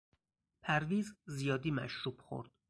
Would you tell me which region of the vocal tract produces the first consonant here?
lips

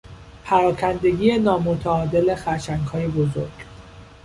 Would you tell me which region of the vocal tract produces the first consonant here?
lips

